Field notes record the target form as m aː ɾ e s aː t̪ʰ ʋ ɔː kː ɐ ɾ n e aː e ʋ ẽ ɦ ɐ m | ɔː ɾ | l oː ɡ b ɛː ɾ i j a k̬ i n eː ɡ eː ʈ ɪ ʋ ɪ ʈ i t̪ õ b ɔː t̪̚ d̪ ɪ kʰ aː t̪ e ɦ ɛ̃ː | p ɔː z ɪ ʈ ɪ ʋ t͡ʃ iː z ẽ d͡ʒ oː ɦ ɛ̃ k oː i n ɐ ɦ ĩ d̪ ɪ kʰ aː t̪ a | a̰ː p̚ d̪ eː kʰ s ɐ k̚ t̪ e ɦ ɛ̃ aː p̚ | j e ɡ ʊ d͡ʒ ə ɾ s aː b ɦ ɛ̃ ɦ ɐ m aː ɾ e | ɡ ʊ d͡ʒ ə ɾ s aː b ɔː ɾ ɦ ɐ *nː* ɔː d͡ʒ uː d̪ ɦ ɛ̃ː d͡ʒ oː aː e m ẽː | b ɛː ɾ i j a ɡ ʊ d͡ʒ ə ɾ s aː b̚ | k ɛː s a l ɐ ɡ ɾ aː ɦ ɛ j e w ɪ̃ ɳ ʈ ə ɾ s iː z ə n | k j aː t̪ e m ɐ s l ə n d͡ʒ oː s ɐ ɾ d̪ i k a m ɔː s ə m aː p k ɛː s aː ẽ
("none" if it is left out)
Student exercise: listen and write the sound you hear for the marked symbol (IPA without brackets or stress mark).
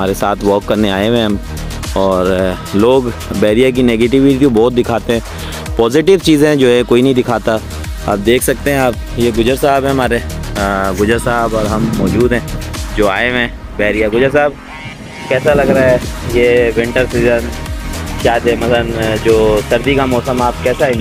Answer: mː